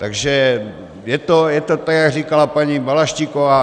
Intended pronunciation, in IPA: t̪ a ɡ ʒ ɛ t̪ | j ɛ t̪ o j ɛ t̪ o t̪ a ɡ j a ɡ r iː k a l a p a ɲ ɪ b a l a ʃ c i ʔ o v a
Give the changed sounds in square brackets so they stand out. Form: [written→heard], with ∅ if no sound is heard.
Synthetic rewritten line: t̪ a ɡ ʒ ɛ [t̪→∅] | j ɛ t̪ o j ɛ t̪ o t̪ a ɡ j a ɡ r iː k a l a p a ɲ [ɪ→i] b a l a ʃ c i [ʔ→k] o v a